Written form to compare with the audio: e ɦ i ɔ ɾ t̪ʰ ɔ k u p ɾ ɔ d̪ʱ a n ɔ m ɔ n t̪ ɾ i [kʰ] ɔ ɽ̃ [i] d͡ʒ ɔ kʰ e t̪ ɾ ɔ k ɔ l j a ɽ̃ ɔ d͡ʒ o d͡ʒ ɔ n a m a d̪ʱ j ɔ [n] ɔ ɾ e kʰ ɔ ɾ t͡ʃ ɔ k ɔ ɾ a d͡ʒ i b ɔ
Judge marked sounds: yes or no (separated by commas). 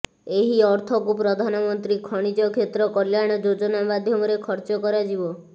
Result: yes, yes, no